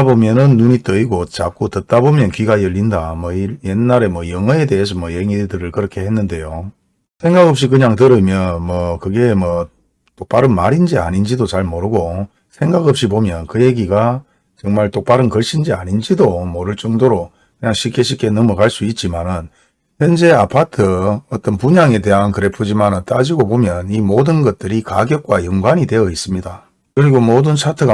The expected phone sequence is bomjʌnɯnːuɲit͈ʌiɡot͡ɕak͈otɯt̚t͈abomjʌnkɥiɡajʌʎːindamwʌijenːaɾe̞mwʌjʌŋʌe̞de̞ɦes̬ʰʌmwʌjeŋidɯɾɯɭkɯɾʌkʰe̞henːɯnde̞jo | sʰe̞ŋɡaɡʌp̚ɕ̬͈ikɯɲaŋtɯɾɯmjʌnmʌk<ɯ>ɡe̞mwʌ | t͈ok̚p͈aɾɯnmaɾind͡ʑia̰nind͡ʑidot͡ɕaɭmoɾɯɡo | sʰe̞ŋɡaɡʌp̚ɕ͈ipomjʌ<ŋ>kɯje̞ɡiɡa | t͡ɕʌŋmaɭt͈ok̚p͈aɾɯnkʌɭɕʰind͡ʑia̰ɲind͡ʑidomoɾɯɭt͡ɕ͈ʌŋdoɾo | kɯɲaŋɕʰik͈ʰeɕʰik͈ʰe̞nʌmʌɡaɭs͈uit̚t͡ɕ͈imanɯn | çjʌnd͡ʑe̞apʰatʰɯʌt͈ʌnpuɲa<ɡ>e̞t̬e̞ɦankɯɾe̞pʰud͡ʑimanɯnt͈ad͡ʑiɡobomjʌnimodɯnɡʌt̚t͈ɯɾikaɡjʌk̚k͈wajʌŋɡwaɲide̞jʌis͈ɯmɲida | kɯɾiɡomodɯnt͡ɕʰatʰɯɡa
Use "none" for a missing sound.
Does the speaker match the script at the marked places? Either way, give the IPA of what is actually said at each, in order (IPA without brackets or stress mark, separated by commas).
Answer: ɯ, n, ŋ